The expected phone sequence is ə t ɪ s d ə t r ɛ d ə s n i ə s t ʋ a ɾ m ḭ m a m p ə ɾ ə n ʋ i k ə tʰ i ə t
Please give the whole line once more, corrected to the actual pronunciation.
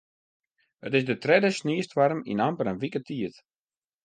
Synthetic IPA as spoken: ə t ɪ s d ə t r ɛ d ə s n i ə s t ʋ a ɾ m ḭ n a m p ə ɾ ə n ʋ i k ə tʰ i ə t